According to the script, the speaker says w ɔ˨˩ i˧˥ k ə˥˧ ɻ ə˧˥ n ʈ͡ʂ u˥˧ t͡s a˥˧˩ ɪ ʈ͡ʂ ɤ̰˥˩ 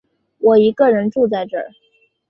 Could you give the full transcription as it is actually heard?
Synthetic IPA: w ɔ˨˩ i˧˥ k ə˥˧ ɻ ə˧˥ n ʈ͡ʂ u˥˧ t͡s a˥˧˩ ɪ ʈ͡ʂ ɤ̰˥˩